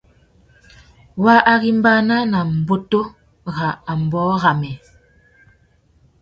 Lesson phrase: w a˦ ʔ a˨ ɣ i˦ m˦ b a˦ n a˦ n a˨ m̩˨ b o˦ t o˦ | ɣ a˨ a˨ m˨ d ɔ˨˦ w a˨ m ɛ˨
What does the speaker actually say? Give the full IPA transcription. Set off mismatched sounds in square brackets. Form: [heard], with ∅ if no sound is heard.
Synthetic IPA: w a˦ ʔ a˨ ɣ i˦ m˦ b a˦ n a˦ n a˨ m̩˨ b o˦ t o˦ | ɣ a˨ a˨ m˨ [b] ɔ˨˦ [ɣ] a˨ m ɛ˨